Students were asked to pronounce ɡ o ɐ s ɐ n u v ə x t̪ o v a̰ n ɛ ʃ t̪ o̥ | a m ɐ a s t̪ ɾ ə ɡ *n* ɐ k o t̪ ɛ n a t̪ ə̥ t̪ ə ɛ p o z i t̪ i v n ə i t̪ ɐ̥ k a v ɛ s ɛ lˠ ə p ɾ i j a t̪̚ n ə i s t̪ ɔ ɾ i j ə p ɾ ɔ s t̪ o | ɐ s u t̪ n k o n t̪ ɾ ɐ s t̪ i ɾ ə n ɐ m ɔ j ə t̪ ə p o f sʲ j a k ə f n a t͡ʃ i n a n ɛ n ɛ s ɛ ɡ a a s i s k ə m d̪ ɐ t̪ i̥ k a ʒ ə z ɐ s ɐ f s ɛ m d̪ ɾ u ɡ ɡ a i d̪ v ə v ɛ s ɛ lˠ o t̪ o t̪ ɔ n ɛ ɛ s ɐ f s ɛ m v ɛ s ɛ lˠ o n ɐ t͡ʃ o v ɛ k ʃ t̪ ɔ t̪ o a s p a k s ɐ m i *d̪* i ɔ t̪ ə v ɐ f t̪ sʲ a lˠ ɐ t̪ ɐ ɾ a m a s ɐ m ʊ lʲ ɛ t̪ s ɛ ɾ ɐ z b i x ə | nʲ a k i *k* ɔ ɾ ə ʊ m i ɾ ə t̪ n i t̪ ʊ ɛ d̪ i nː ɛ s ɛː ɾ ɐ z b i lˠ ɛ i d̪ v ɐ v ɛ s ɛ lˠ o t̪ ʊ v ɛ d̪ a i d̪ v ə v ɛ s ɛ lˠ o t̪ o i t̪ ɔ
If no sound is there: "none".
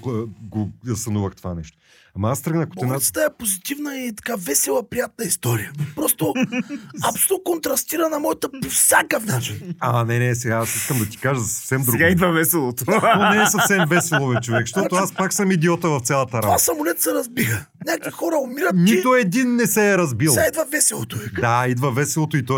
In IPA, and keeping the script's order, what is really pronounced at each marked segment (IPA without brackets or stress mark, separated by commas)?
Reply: n, d̪, x